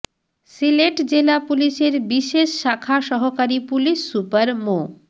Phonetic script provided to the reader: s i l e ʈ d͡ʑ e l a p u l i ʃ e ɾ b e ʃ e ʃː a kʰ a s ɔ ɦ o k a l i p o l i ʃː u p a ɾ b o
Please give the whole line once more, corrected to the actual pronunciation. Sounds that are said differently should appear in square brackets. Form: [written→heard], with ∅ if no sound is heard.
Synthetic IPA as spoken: s i l e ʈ d͡ʑ e l a p u l i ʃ e ɾ b [e→i] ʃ e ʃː a kʰ a [s→ʃ] ɔ ɦ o k a [l→ɾ] i p [o→u] l i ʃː u p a ɾ [b→m] o